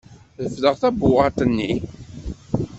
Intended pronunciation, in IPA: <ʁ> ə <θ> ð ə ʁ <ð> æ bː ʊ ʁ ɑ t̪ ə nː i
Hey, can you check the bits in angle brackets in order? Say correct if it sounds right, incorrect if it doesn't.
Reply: incorrect, incorrect, incorrect

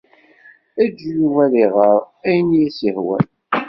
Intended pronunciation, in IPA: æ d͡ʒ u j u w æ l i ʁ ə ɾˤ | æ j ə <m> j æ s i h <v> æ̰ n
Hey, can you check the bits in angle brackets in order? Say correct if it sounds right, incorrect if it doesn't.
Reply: incorrect, incorrect

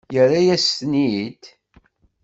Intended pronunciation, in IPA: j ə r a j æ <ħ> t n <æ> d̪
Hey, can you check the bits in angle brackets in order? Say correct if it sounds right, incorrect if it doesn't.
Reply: incorrect, incorrect

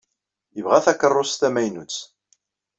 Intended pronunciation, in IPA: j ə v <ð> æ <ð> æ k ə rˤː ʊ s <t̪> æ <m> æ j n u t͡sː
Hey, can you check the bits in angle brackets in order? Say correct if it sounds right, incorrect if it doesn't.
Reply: incorrect, incorrect, correct, correct

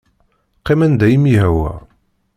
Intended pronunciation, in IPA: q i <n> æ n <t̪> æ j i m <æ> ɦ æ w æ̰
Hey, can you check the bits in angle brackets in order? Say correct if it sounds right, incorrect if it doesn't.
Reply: incorrect, incorrect, incorrect

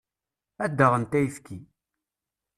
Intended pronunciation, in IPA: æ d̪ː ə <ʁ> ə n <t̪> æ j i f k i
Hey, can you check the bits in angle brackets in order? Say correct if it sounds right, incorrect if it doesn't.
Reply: correct, correct

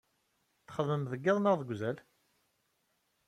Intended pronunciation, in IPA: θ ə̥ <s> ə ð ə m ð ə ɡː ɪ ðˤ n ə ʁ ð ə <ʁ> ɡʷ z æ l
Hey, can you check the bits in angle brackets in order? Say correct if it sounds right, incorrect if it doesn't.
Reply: incorrect, incorrect

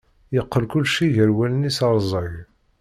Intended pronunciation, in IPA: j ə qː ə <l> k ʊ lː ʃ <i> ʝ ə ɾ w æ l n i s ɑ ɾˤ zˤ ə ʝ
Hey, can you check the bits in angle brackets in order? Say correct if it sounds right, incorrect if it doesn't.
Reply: correct, correct

